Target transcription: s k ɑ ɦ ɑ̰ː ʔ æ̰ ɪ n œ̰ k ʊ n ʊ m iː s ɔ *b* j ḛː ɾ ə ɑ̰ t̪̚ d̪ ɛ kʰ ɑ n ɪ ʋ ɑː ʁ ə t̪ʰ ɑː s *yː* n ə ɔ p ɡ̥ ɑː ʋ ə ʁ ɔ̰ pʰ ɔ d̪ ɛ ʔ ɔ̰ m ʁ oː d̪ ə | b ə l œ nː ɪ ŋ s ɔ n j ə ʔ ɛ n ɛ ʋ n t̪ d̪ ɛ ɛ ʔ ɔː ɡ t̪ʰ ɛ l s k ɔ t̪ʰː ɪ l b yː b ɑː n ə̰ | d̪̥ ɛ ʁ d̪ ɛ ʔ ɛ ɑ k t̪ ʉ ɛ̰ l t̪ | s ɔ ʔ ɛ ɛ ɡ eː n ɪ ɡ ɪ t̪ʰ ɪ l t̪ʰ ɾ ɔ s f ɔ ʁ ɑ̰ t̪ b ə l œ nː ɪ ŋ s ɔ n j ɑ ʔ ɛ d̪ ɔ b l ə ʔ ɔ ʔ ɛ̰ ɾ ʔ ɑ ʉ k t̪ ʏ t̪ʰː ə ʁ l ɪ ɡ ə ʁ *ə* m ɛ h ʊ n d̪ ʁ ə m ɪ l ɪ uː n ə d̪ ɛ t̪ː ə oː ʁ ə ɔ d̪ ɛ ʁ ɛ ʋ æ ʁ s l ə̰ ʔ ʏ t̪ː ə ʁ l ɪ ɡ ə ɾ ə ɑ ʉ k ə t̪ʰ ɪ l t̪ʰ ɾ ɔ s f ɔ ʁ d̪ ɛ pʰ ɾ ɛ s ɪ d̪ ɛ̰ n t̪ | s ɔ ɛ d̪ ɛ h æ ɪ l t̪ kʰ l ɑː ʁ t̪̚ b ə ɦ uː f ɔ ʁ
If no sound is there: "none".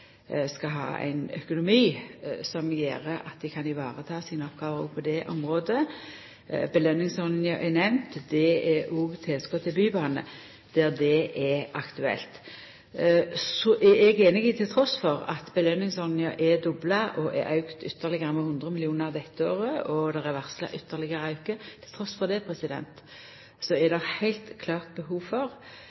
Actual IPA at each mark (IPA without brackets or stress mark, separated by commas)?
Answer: m, iː, ə